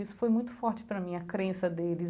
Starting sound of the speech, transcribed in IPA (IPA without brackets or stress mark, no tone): i